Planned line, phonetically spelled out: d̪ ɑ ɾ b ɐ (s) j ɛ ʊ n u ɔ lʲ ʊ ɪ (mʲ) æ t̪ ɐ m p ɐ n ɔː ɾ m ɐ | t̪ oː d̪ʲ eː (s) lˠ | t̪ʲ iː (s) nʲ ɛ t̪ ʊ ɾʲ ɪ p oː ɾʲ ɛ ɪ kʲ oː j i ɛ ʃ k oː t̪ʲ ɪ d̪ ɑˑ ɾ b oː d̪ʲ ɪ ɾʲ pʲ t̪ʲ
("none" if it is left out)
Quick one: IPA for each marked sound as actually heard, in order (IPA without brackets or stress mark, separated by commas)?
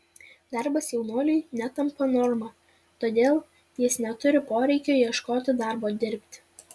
s, nʲ, none, s